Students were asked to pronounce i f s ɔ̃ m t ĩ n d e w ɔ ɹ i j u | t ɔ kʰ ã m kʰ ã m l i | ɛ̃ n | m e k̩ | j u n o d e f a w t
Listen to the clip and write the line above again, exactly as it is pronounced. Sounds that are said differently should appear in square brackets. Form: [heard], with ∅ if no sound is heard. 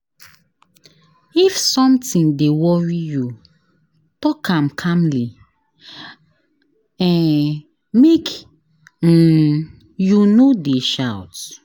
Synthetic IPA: i f s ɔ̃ m t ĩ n d e w ɔ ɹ i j u | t ɔ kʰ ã m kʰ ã m l i | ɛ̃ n | m e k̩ | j u n o d e [ʃ] a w t